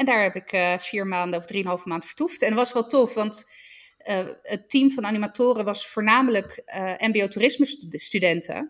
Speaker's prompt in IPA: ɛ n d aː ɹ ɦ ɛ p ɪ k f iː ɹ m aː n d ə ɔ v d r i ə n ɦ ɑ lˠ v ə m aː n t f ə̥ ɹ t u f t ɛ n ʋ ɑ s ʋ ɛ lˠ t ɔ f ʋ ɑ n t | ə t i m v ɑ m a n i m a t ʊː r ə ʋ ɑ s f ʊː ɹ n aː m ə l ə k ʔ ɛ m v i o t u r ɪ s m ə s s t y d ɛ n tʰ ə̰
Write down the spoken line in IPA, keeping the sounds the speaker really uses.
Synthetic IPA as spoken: ɛ n d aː ɹ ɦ ɛ p ɪ k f iː ɹ m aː n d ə ɔ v d r i ə n ɦ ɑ lˠ v ə m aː n t f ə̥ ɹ t u f t ɛ n ʋ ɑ s ʋ ɛ lˠ t ɔ f ʋ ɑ n t | ə t i m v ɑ n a n i m a t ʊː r ə ʋ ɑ s f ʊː ɹ n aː m ə l ə k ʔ ɛ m b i o t u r ɪ s m ə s s t y d ɛ n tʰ ə̰